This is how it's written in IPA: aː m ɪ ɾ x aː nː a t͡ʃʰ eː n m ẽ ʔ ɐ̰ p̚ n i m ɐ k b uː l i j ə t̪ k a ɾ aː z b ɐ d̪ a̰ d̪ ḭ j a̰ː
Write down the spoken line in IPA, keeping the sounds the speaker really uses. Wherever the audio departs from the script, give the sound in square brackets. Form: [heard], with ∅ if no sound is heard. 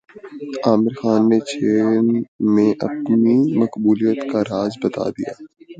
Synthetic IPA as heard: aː m ɪ ɾ x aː nː [e] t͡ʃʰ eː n m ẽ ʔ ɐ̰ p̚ n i m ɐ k b uː l i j ə t̪ k a ɾ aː z b ɐ [t̪] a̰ d̪ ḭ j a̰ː

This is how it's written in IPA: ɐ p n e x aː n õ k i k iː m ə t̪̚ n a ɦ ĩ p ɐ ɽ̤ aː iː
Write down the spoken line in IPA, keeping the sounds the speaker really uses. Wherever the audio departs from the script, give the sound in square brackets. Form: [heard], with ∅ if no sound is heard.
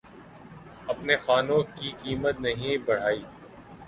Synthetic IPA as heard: ɐ p n e x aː n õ k i k iː m ə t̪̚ n [ɐ] ɦ ĩ [b] ɐ ɽ̤ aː iː

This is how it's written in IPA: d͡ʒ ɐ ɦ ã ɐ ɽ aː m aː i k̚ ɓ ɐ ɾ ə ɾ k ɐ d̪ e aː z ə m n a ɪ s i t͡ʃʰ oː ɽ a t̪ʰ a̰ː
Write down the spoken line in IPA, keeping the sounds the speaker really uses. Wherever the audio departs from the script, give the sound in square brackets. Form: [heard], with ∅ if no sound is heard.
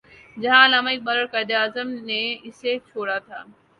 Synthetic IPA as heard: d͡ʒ ɐ ɦ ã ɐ [l] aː m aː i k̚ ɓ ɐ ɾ ə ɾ k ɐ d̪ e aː z ə m n [e] ɪ s [e] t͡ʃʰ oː ɽ a t̪ʰ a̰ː

